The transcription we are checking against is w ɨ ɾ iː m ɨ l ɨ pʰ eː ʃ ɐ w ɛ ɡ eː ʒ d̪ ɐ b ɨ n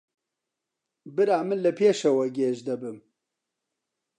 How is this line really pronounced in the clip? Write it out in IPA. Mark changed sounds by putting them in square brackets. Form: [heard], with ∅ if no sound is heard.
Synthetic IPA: [b] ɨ ɾ [aː] m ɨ l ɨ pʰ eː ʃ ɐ w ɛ ɡ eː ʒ d̪ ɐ b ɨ [m]